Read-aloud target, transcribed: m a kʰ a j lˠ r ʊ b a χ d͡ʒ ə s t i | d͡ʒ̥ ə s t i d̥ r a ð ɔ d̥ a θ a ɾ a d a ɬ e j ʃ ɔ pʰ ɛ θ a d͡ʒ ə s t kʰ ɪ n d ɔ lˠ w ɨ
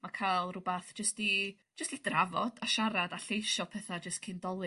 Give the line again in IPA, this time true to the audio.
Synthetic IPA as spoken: m a kʰ a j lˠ r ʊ b a θ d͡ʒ ə s t i | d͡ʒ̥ ə s t i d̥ r a v ɔ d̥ a ʃ a ɾ a d a ɬ e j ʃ ɔ pʰ ɛ θ a d͡ʒ ə s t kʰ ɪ n d ɔ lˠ w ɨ